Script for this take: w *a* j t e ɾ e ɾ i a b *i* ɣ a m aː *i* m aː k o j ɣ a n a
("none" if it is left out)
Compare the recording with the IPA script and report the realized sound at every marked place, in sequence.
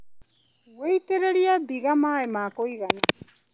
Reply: e, i, e

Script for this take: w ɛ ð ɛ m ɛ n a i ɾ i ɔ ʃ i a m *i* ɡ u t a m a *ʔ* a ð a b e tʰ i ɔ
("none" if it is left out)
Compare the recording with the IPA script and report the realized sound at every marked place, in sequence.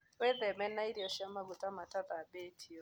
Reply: a, t

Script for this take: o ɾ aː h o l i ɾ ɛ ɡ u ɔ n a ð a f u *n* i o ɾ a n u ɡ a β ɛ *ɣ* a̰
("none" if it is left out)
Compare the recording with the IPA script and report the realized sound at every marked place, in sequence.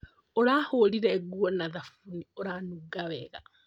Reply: n, ɣ

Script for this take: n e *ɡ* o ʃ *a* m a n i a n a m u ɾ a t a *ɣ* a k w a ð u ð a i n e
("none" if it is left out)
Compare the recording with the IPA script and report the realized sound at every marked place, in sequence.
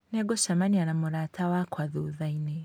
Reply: ɡ, a, w

